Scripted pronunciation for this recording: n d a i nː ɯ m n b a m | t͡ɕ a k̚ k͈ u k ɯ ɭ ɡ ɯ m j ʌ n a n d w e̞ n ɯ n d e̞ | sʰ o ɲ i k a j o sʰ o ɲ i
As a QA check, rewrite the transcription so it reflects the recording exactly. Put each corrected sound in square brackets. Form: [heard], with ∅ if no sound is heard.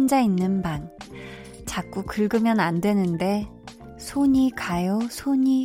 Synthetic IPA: n [d͡ʑ] a i nː ɯ [∅] n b a [n] | t͡ɕ a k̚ k͈ u k ɯ ɭ ɡ ɯ m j ʌ n a n d w e̞ n ɯ n d e̞ | sʰ o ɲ i k a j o sʰ o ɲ i